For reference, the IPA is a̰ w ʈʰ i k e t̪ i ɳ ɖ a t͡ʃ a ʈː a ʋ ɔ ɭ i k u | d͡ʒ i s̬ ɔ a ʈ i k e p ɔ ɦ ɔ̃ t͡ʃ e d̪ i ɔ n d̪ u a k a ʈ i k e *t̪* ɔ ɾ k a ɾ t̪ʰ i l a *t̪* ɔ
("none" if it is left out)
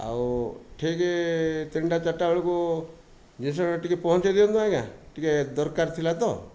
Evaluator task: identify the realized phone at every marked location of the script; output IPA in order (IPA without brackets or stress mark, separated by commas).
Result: d̪, t̪